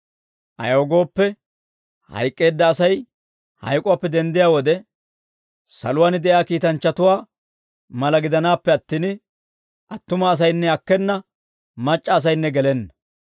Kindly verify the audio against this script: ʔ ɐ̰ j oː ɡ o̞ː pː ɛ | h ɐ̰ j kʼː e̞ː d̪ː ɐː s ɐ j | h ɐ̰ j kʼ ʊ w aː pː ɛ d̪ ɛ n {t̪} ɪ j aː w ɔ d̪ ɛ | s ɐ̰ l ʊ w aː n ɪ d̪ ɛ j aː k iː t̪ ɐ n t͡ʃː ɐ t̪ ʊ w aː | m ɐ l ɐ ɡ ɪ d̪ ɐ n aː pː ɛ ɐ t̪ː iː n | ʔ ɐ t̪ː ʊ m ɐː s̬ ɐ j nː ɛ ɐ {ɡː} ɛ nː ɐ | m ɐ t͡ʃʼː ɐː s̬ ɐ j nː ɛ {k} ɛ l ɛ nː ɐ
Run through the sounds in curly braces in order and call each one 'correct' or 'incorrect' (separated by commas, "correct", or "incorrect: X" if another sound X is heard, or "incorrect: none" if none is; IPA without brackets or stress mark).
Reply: incorrect: d̪, incorrect: kː, incorrect: ɡ